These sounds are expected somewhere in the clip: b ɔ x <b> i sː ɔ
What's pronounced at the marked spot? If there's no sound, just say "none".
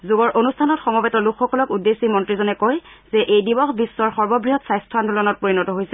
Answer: b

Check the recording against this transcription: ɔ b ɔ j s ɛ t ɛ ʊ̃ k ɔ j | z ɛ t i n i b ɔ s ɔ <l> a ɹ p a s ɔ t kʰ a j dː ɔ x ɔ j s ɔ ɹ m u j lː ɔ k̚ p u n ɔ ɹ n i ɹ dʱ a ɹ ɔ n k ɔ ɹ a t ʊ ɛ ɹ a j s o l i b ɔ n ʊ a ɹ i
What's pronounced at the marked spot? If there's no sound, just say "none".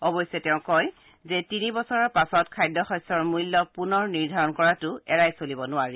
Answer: ɹ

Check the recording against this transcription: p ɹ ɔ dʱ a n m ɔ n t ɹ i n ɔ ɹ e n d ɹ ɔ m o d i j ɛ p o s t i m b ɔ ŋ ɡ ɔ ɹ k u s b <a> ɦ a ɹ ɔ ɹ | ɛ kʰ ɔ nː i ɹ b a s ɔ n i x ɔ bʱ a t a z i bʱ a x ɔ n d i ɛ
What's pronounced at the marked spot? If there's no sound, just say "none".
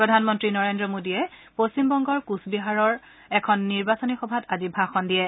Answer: i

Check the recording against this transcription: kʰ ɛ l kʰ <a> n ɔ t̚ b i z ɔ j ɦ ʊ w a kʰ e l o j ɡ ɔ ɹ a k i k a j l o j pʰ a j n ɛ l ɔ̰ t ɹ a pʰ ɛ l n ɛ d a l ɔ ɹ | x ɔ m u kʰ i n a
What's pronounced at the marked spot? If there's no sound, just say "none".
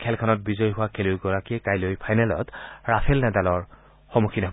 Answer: a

